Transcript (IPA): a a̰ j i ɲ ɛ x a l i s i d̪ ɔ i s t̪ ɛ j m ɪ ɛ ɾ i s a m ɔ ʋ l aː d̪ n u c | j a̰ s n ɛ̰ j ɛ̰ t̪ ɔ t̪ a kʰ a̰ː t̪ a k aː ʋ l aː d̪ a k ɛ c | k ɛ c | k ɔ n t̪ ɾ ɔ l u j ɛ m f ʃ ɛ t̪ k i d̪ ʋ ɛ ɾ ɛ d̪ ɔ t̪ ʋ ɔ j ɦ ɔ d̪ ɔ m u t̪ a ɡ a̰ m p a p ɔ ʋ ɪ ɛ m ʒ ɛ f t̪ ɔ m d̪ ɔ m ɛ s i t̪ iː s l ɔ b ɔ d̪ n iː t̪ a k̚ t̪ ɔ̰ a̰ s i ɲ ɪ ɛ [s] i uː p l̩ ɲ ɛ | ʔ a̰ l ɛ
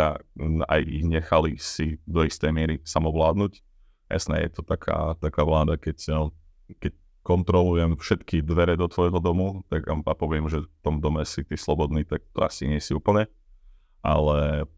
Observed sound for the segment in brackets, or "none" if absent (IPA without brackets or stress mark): s